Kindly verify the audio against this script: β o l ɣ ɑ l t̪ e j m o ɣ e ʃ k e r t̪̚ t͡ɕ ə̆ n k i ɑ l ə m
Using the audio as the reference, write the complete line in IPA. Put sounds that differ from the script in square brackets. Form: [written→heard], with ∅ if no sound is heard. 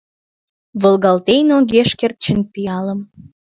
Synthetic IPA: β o l ɣ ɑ l t̪ e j [m→n] o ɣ e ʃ k e r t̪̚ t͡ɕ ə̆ n [k→p] i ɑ l ə m